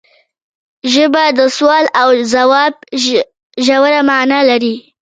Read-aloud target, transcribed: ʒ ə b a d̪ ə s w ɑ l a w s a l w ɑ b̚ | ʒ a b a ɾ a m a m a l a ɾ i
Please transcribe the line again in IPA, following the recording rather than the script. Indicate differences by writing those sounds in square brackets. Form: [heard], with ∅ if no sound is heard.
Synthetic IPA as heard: ʒ ə b a d̪ ə s w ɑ l a w [z] a [∅] w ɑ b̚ | ʒ a [w] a ɾ a m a [n] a l a ɾ i